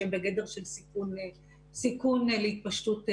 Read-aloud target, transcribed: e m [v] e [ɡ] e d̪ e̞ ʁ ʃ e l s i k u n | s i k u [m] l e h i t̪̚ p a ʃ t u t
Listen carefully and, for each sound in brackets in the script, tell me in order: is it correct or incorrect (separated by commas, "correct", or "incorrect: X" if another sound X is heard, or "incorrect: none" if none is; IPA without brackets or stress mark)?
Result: incorrect: b, correct, incorrect: n